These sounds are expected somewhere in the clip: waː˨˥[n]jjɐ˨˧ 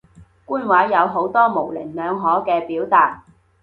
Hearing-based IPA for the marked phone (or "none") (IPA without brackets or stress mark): none